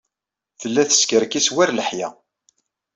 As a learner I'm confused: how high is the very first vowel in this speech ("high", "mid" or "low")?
mid